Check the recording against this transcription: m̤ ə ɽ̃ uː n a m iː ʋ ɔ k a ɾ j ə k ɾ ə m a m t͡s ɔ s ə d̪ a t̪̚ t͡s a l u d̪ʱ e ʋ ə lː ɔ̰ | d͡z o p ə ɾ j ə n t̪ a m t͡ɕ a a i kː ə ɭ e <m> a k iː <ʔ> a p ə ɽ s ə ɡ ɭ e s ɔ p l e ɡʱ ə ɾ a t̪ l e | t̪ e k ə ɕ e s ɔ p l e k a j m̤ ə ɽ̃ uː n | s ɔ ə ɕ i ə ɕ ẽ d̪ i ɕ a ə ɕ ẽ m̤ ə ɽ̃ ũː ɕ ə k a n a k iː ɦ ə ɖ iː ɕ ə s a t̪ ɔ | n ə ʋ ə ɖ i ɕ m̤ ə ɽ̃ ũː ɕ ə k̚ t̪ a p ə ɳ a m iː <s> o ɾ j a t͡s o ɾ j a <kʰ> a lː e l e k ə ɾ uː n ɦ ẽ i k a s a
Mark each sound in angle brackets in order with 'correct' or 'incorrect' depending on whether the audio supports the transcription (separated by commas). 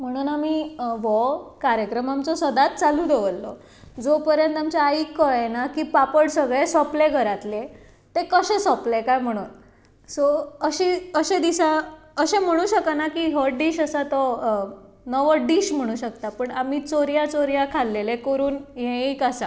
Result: incorrect, incorrect, incorrect, correct